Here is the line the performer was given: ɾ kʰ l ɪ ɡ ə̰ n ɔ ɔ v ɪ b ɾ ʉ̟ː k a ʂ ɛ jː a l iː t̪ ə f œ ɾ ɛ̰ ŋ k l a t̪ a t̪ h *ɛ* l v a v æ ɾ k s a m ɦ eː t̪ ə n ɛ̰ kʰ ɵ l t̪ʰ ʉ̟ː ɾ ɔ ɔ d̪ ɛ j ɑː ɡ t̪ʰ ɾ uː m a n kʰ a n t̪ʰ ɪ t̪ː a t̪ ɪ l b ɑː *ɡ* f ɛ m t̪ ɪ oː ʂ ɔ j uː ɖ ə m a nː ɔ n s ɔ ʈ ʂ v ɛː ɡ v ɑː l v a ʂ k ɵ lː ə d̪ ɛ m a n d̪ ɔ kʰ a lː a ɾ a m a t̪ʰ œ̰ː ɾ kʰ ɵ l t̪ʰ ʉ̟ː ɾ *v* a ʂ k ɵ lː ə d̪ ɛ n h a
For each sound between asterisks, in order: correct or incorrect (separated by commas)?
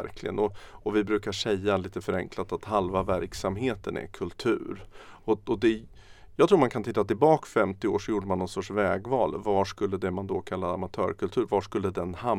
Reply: incorrect, incorrect, correct